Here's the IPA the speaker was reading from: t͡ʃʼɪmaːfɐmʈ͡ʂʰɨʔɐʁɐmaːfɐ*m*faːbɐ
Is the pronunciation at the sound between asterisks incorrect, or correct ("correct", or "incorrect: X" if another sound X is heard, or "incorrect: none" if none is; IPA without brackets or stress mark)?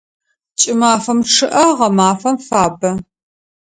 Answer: correct